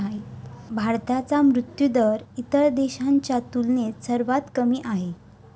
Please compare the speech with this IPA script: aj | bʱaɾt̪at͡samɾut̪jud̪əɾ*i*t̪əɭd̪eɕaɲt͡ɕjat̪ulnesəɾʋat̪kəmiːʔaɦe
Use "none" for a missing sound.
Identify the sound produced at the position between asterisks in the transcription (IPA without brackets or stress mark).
i